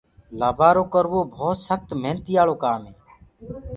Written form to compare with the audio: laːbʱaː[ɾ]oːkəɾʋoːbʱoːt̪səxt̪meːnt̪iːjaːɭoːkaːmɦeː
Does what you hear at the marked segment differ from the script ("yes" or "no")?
no